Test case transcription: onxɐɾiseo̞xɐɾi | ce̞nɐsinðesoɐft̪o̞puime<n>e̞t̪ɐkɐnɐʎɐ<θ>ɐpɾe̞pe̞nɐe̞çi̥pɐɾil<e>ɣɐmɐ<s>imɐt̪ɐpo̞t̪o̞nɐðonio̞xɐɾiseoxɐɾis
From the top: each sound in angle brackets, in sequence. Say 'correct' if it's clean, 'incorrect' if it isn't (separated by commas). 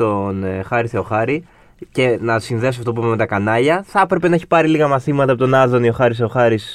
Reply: incorrect, correct, incorrect, incorrect